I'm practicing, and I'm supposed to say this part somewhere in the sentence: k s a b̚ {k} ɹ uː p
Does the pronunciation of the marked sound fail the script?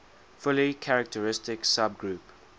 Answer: yes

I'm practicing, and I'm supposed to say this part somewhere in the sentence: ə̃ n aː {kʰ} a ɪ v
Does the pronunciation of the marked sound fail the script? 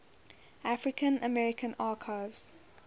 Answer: no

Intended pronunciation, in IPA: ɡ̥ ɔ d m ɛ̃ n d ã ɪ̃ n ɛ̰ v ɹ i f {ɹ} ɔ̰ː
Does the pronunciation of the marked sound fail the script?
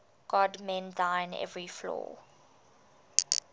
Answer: yes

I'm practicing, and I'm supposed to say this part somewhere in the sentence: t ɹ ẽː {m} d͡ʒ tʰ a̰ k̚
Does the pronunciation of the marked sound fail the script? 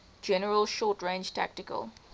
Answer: yes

